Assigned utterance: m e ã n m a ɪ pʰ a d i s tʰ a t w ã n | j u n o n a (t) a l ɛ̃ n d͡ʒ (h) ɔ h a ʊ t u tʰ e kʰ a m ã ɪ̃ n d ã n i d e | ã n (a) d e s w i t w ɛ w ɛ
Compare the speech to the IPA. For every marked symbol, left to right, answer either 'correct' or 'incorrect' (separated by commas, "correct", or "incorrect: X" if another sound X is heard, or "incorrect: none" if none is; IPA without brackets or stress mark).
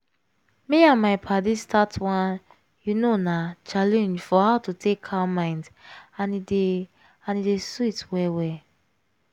incorrect: t͡ʃ, incorrect: f, incorrect: i